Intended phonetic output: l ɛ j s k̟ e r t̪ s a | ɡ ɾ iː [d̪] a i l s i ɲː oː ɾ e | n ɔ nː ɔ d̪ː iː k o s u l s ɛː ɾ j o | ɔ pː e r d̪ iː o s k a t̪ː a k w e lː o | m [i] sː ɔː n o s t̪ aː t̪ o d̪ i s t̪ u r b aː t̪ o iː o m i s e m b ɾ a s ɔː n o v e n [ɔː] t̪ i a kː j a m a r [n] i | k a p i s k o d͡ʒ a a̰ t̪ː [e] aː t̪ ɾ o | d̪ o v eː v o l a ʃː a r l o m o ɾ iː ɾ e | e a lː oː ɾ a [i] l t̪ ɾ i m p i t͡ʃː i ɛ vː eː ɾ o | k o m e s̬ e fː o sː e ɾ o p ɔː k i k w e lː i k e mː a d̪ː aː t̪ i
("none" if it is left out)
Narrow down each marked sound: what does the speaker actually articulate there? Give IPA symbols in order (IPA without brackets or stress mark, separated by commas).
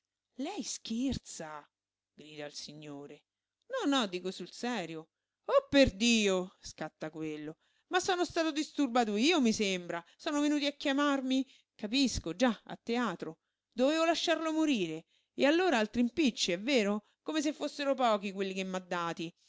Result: d̪, a, uː, m, e, a